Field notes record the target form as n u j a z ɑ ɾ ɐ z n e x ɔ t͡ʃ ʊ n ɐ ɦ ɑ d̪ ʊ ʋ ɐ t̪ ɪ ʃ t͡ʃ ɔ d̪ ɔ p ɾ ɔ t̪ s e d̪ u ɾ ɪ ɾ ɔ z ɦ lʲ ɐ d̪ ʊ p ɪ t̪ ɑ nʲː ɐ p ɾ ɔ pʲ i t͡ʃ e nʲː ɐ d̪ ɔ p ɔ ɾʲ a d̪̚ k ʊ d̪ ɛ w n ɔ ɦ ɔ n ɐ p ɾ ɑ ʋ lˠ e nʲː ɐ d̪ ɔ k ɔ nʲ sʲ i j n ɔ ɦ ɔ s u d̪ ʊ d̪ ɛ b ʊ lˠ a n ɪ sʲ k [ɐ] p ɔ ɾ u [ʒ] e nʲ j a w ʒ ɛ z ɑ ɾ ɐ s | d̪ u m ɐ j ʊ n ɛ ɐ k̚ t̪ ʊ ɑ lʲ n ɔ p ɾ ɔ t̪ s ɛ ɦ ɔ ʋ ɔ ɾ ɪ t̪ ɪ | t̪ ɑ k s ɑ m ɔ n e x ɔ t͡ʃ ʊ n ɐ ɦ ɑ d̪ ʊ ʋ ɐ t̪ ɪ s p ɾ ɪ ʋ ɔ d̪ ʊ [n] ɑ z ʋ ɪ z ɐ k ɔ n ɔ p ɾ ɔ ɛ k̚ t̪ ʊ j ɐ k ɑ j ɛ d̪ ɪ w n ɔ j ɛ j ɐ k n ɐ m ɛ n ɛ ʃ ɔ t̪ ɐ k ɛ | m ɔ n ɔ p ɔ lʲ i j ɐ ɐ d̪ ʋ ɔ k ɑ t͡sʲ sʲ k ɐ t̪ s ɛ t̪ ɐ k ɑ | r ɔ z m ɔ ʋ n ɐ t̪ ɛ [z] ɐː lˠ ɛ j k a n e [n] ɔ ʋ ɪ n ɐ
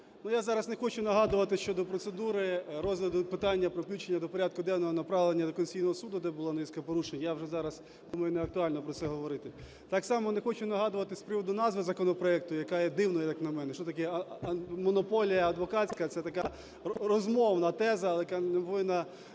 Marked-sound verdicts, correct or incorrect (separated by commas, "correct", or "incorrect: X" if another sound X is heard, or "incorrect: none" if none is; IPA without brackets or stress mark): correct, incorrect: ʃ, correct, correct, incorrect: m